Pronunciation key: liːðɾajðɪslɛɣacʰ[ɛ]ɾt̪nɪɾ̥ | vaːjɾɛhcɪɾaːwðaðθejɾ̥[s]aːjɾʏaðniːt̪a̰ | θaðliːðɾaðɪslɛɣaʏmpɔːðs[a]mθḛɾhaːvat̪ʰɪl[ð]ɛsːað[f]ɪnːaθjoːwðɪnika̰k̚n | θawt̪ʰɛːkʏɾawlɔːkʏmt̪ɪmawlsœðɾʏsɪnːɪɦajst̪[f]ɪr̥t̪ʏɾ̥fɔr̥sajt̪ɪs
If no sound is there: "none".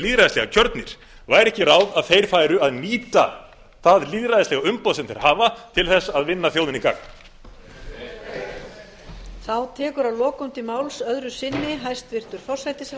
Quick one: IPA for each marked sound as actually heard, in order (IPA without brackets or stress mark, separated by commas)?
œ, f, ɛ, θ, v, v